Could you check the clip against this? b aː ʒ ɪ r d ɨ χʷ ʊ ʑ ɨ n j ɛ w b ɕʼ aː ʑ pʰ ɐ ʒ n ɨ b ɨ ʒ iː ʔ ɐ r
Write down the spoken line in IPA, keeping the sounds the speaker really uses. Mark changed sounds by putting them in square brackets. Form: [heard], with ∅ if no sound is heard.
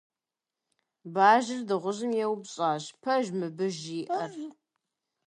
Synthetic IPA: b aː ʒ ɪ r d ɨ [ʁʷ] ʊ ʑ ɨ [m] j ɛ w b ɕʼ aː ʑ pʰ ɐ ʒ [m] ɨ b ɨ ʒ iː ʔ ɐ r